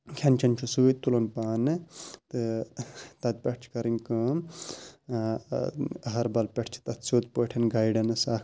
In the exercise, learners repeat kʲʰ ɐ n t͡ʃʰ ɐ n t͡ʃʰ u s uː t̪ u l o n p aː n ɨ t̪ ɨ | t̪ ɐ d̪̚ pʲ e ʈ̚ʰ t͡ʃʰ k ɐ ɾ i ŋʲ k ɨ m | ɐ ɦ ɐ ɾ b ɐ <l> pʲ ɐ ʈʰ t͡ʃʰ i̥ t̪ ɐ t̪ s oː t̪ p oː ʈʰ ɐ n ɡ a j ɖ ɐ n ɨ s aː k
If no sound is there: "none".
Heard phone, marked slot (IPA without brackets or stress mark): l